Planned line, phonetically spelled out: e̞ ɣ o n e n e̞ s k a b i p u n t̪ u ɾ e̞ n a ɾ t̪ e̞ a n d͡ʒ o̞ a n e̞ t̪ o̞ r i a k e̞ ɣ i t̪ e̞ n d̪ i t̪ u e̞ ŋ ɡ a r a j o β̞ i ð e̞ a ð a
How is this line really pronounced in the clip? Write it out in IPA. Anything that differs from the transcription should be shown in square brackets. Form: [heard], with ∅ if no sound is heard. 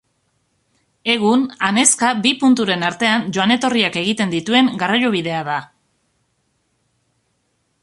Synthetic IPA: e̞ ɣ [u] n [a] n e̞ s k a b i p u n t̪ u ɾ e̞ n a ɾ t̪ e̞ a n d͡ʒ o̞ a n e̞ t̪ o̞ r i a k e̞ ɣ i t̪ e̞ n d̪ i t̪ u e̞ ŋ ɡ a r a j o β̞ i ð e̞ a ð a